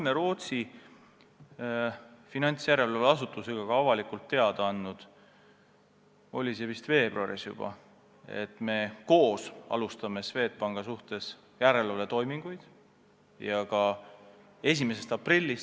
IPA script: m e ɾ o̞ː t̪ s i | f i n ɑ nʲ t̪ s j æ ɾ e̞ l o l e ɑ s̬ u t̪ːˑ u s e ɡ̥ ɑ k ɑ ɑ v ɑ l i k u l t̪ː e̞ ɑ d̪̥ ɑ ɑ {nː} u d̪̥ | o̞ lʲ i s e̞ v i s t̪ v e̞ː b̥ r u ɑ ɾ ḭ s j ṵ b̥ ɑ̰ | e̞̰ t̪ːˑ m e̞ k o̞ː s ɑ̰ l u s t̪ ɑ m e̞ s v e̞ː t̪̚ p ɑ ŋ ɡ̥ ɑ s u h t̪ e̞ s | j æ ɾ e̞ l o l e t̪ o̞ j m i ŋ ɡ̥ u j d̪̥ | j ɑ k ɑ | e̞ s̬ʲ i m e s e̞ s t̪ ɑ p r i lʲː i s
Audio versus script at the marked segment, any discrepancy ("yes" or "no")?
no